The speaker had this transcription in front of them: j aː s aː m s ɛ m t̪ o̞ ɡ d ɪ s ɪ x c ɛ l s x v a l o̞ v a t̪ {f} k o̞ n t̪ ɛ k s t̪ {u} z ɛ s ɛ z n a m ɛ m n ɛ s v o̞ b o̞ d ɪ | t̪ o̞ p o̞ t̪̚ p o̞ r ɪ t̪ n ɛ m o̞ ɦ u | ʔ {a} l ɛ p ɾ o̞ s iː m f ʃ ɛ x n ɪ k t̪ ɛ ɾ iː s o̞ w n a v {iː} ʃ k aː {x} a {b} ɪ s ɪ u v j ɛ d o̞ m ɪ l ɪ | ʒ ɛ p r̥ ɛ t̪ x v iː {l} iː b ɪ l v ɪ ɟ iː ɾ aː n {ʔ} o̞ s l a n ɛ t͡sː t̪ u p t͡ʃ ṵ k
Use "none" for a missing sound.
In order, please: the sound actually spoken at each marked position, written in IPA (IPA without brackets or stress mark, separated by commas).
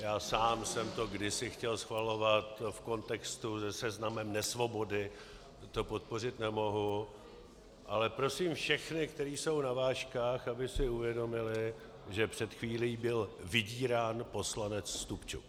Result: f, u, a, aː, x, b, l, p